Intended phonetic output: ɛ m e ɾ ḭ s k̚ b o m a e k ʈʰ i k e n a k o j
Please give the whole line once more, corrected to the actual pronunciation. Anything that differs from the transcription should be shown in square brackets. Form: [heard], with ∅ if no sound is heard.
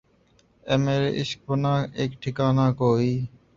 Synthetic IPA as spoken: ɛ m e ɾ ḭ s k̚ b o [n] a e k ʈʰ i k [a] n a k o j